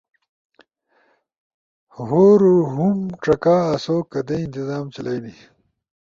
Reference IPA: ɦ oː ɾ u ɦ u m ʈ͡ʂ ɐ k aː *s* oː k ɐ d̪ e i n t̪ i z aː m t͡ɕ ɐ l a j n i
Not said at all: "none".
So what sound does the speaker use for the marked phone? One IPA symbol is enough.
s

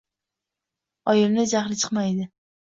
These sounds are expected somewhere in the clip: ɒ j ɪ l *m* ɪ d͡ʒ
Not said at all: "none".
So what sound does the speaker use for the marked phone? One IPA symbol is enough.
n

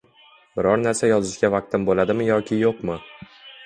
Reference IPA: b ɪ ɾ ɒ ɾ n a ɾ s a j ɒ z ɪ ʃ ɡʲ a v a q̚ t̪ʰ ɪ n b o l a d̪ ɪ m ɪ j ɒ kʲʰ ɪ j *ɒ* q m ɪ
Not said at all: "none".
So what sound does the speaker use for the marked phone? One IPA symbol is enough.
o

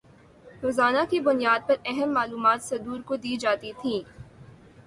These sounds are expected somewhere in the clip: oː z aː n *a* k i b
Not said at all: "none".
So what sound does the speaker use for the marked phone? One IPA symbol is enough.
a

